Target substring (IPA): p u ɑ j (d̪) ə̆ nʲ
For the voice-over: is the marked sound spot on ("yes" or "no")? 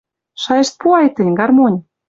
no